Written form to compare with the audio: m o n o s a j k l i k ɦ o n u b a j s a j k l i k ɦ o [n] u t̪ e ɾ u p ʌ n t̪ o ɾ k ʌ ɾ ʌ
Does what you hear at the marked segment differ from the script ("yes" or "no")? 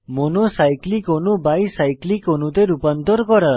no